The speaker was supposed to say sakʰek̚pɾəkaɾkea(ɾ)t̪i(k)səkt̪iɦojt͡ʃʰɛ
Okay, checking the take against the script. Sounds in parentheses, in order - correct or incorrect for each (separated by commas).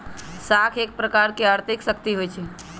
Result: correct, correct